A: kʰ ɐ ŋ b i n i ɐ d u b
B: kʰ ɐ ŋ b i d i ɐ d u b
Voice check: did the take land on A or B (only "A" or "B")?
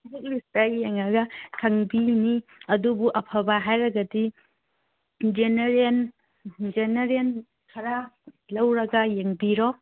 A